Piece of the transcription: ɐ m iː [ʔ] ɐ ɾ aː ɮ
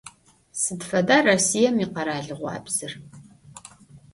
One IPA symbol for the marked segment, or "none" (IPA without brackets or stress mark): q